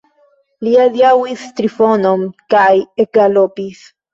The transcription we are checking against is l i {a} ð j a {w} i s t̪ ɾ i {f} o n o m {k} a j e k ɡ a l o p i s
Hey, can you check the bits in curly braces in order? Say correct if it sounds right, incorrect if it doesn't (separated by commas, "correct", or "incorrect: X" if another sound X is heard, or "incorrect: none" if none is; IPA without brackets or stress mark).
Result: correct, correct, correct, correct